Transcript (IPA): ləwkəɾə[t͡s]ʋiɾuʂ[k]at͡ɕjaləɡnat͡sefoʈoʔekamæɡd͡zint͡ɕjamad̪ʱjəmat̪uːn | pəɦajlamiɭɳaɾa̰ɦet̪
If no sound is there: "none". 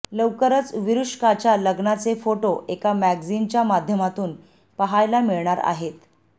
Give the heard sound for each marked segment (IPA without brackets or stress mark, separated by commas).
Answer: t͡s, k